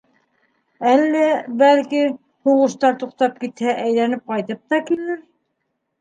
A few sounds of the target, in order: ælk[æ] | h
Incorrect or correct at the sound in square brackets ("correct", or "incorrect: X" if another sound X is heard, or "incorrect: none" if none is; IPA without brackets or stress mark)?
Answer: incorrect: i